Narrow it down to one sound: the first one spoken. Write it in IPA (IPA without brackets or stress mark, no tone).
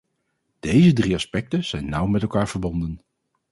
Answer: d̥